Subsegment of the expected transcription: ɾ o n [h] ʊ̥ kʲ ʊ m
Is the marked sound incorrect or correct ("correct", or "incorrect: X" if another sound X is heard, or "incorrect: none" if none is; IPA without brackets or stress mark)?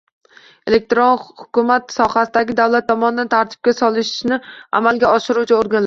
correct